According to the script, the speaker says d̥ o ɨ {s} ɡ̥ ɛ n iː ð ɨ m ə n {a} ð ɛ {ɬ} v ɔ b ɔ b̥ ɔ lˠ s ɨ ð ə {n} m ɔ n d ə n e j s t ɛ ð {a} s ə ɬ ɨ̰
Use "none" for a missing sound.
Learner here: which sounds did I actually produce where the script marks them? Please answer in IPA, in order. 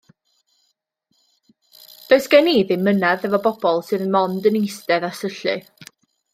s, a, none, n, a

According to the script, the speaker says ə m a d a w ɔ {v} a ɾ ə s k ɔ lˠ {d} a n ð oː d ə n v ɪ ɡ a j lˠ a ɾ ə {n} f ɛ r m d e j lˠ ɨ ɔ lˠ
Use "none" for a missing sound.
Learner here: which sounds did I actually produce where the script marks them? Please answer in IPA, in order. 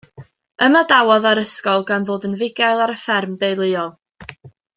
ð, ɡ, none

